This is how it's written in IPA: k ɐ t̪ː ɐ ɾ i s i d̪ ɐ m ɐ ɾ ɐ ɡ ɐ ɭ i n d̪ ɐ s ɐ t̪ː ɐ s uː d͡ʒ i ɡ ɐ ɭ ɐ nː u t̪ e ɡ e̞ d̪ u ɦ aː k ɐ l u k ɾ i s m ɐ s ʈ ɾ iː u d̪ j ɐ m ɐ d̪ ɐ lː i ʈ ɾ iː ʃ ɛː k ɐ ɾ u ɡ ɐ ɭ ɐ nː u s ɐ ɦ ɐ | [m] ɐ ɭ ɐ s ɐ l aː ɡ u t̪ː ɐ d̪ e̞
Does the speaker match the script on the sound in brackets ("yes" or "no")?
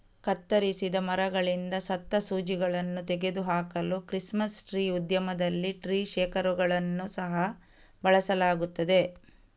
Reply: no